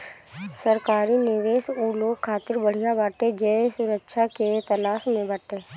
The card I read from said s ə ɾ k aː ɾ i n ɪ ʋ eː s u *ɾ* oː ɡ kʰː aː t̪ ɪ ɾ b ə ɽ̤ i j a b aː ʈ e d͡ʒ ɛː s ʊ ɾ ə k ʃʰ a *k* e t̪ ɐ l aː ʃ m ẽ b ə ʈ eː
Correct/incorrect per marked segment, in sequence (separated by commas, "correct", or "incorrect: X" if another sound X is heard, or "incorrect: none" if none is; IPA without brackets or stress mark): incorrect: l, correct